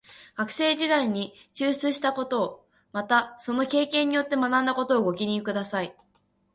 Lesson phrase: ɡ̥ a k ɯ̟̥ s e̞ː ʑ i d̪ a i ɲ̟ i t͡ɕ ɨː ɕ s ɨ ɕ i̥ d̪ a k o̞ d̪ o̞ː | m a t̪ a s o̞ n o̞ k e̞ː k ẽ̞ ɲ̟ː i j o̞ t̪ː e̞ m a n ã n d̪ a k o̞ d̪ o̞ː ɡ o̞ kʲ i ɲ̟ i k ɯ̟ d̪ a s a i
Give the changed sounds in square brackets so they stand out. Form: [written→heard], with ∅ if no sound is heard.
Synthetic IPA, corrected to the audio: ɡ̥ a k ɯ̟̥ s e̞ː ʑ i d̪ a i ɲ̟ i t͡ɕ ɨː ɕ [s→t͡s] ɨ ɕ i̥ [d̪→t̪] a k o̞ [d̪→t̪] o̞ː | m a t̪ a s o̞ n o̞ k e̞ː k ẽ̞ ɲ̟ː i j o̞ t̪ː e̞ m a n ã n d̪ a k o̞ [d̪→t̪] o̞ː ɡ o̞ kʲ i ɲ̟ i k ɯ̟ d̪ a s a i